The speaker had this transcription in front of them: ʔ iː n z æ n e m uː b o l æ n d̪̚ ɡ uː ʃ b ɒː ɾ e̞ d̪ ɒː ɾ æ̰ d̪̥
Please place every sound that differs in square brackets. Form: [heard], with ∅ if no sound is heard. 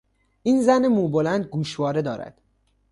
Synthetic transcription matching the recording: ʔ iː n z æ n e m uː b o l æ n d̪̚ ɡ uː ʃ [v] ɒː ɾ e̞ d̪ ɒː ɾ æ̰ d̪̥